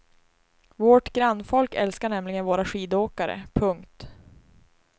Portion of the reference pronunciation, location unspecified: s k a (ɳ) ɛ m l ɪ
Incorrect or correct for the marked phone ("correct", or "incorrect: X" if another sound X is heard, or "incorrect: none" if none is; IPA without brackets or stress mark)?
correct